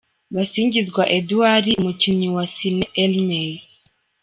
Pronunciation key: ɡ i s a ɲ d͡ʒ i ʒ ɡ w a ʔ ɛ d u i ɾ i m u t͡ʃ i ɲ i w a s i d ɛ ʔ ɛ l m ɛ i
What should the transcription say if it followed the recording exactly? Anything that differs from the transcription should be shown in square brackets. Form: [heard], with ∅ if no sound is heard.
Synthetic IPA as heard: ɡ [a] s [i] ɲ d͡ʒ i [z] ɡ w a ʔ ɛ d u [a] ɾ i m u t͡ʃ i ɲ i w a s i [n] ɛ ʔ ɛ l m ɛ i